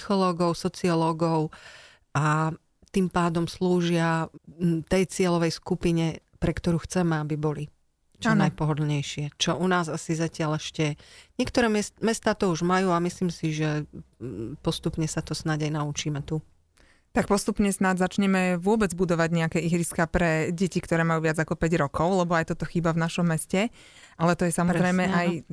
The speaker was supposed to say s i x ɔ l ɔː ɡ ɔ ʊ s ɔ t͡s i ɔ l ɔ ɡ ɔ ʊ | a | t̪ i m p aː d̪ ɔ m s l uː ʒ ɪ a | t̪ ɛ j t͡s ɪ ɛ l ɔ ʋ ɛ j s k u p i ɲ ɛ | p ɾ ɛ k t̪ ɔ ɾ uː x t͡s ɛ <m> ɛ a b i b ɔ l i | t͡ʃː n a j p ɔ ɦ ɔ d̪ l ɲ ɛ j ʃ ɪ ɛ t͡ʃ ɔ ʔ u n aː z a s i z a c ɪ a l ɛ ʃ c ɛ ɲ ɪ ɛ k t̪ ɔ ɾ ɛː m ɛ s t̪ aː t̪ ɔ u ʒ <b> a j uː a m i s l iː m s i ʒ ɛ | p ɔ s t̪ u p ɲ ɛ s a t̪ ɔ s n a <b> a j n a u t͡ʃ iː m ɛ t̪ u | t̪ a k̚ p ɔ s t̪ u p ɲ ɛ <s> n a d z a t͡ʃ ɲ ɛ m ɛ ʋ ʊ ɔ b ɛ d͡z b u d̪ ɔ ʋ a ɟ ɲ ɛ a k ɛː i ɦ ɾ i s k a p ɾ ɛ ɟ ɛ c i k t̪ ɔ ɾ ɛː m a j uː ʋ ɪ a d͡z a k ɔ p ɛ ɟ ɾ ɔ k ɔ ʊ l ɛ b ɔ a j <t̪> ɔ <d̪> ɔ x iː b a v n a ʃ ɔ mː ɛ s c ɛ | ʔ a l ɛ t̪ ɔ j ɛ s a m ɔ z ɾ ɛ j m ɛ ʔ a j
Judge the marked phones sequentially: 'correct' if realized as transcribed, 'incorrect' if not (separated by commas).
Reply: correct, incorrect, incorrect, correct, correct, incorrect